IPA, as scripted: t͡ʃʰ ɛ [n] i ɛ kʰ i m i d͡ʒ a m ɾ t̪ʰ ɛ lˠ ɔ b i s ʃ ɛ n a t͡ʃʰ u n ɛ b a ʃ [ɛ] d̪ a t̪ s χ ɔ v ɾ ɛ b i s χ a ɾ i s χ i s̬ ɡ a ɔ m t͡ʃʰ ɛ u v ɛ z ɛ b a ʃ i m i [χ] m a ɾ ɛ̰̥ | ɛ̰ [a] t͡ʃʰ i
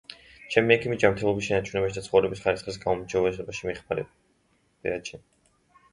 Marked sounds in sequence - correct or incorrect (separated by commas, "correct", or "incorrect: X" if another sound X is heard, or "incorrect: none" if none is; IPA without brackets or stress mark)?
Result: incorrect: m, incorrect: i, correct, correct